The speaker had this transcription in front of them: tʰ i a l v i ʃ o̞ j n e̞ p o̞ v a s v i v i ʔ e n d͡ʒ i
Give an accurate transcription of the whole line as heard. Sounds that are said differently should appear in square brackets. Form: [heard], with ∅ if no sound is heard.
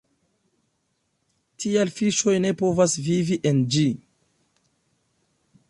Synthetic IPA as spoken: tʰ i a l [f] i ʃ o̞ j n e̞ p o̞ v a s v i v i ʔ e n d͡ʒ i